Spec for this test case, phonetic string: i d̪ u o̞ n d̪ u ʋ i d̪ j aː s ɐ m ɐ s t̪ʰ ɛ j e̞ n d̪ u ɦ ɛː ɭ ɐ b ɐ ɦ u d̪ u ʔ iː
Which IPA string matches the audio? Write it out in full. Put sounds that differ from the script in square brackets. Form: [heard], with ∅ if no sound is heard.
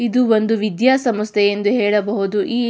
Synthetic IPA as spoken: i d̪ u o̞ n d̪ u ʋ i d̪ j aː s ɐ m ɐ s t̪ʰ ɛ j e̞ n d̪ u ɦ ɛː ɭ ɐ b ɐ ɦ u d̪ u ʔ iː